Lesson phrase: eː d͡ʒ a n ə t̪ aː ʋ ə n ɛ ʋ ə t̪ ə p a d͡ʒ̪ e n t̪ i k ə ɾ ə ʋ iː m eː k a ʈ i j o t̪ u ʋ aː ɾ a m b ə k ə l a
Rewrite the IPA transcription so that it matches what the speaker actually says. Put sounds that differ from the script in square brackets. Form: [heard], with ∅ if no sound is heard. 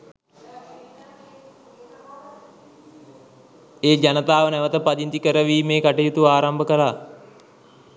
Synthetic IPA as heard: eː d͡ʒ a n ə t̪ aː ʋ ə n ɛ ʋ ə t̪ ə p a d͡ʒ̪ [i] n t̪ i k ə ɾ ə ʋ iː m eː k a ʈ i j [u] t̪ u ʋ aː ɾ a m b ə k ə l a